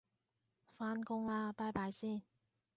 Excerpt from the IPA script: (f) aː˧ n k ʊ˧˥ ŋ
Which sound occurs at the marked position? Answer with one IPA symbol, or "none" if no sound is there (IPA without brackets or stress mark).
f